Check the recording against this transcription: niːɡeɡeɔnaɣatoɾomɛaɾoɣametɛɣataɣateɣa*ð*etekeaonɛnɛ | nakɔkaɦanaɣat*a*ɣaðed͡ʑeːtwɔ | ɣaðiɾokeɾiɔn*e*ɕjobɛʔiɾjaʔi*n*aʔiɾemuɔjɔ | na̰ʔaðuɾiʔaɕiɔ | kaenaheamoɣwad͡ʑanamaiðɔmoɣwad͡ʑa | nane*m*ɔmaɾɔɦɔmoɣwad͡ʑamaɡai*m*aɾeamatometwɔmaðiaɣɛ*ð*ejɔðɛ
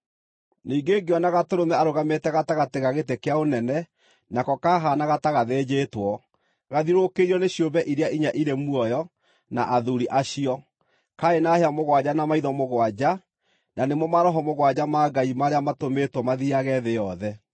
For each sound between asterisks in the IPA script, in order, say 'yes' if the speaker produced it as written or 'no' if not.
no, yes, yes, no, yes, yes, yes

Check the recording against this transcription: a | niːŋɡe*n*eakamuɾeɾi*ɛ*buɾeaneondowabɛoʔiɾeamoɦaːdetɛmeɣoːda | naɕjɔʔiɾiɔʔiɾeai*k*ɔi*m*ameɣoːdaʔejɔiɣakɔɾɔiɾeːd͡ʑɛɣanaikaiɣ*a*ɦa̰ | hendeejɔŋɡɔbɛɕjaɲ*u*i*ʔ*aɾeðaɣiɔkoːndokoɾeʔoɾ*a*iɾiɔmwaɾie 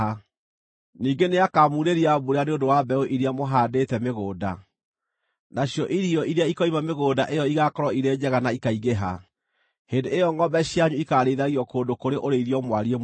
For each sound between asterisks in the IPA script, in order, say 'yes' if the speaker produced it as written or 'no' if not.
yes, no, yes, yes, no, yes, no, no

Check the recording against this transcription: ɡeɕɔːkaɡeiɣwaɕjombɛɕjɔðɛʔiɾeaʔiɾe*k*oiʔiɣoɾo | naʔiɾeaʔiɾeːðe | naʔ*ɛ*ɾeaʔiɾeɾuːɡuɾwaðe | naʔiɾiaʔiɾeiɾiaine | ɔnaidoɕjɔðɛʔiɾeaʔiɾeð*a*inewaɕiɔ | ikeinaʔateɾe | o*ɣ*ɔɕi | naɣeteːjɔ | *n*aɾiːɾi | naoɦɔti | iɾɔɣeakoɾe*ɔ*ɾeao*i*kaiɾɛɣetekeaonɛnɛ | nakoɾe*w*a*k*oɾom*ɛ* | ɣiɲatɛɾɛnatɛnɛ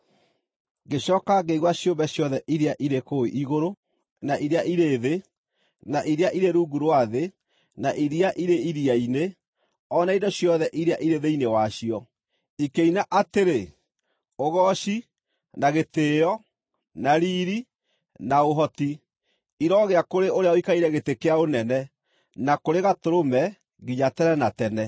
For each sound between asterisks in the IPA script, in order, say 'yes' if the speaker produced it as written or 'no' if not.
yes, no, no, yes, yes, no, yes, no, no, yes

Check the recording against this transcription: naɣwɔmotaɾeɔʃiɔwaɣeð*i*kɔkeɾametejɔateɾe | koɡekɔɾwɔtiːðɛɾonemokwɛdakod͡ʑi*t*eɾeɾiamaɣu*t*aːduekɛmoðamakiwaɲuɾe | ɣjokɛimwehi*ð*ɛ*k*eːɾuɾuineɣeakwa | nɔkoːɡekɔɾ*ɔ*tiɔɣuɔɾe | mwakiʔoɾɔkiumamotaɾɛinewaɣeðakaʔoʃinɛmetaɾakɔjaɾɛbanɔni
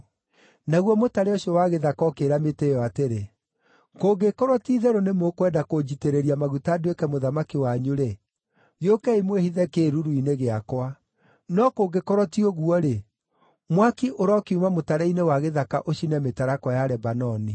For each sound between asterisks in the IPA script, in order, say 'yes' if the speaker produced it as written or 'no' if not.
no, yes, yes, yes, yes, yes

